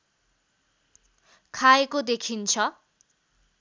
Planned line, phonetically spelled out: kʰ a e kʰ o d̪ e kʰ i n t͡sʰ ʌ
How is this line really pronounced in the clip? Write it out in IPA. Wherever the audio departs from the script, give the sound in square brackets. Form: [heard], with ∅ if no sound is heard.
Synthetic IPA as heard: kʰ a e [k] o d̪ e kʰ i n t͡sʰ ʌ